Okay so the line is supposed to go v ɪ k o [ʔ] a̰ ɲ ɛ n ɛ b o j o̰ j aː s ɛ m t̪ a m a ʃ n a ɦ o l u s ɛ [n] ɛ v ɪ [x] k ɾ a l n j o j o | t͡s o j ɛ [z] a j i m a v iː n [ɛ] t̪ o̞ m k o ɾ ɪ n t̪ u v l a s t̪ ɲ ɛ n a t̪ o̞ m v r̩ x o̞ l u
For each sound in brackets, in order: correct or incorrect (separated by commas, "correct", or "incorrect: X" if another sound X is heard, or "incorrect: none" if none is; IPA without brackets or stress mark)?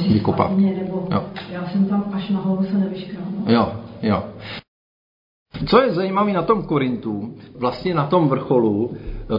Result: incorrect: p, correct, incorrect: ʃ, correct, incorrect: a